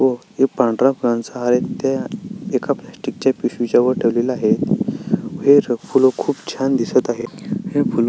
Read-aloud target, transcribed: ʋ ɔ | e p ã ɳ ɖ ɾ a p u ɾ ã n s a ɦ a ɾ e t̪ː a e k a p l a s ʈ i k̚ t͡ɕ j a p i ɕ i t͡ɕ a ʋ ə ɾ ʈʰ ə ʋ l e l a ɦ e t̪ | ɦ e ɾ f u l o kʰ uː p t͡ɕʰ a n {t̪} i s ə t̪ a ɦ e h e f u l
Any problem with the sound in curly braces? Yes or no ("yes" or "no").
yes